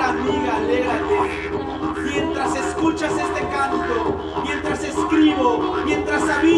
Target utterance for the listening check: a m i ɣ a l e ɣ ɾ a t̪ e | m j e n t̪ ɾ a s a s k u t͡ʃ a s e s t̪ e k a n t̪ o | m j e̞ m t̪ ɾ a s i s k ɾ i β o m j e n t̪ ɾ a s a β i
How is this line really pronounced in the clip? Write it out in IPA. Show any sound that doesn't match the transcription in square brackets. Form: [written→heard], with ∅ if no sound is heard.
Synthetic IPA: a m i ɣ a l e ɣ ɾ a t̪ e | m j e n t̪ ɾ a s [a→e] s k u t͡ʃ a s e s t̪ e k a n t̪ o | m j e̞ [m→n] t̪ ɾ a s [i→e] s k ɾ i β o m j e n t̪ ɾ a s a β i